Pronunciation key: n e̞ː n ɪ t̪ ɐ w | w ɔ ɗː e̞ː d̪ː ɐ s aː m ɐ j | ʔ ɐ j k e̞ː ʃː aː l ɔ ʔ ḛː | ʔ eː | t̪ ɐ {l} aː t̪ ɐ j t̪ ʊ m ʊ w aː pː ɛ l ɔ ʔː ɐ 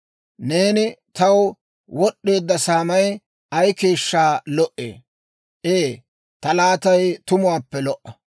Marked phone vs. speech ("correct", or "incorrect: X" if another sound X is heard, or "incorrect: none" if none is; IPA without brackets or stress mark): correct